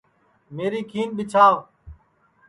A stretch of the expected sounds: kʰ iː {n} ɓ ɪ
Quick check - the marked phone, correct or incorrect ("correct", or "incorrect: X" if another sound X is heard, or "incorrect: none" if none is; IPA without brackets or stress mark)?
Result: correct